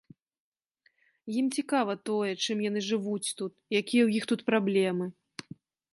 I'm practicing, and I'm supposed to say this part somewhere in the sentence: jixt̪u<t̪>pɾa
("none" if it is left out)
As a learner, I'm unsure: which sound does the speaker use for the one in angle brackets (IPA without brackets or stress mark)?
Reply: t̪